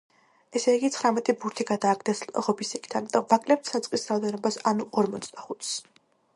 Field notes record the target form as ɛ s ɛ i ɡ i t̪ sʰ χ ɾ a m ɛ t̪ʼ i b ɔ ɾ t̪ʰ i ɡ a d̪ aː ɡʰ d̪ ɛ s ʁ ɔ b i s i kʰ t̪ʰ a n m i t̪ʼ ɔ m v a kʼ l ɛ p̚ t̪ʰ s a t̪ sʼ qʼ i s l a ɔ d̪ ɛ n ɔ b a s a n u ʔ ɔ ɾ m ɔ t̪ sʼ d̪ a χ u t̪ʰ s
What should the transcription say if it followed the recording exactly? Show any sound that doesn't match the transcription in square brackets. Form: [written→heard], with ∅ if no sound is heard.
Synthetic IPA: ɛ s ɛ i ɡ i t̪ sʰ χ ɾ a m ɛ t̪ʼ i b [ɔ→u] ɾ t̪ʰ i ɡ a d̪ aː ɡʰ d̪ ɛ s ʁ ɔ b i s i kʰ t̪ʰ a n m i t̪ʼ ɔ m v a kʼ l ɛ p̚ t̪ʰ s a t̪ sʼ qʼ i s [l→ɾ] a ɔ d̪ ɛ n ɔ b a s a n u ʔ ɔ ɾ m ɔ t̪ sʼ d̪ a χ u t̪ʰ s